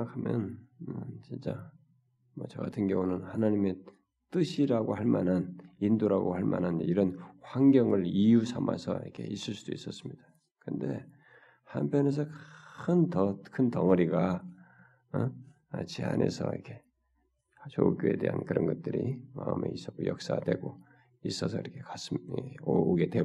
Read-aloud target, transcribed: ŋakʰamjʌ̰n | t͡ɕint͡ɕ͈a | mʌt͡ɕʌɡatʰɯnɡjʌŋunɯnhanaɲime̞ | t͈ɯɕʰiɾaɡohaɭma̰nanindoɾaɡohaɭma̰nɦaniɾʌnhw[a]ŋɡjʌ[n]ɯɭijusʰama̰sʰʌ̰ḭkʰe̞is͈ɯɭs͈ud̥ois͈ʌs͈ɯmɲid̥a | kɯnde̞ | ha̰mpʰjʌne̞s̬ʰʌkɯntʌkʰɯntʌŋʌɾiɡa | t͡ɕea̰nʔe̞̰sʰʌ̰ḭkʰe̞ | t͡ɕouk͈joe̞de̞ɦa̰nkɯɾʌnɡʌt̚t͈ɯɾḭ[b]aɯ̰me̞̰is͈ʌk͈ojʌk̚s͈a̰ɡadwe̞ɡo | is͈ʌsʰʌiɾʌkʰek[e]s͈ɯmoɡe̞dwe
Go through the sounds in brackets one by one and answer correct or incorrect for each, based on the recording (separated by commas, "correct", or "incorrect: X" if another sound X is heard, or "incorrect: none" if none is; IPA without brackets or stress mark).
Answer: correct, incorrect: ŋ, incorrect: m, incorrect: a